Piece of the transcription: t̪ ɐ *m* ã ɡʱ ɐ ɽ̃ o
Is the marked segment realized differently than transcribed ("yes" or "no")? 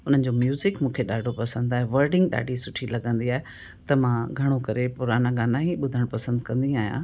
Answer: no